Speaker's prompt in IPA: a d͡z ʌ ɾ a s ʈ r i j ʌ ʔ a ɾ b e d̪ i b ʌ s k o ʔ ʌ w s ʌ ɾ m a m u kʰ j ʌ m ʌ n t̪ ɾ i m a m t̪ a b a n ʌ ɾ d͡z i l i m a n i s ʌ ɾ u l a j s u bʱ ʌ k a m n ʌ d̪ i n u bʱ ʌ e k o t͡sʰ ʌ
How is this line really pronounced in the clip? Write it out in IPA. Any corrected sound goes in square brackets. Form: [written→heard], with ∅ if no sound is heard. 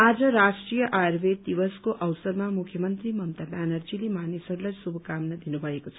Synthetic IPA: a d͡z ʌ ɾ a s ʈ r i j ʌ ʔ a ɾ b e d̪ i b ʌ s k o ʔ ʌ w s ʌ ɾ m a m u kʰ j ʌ m ʌ n t̪ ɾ i m [a→ʌ] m t̪ a b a n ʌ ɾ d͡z i l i m a n i s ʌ ɾ u l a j s u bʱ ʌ k a m n ʌ d̪ i n u bʱ ʌ e k o t͡sʰ ʌ